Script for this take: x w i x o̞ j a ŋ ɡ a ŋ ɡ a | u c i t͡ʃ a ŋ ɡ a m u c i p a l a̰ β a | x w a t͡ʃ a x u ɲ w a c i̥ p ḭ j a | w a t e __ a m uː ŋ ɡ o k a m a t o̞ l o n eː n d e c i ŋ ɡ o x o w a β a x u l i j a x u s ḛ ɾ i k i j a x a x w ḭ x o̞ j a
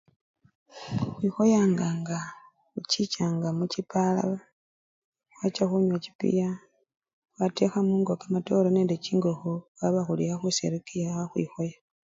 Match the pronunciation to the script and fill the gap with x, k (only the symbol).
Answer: x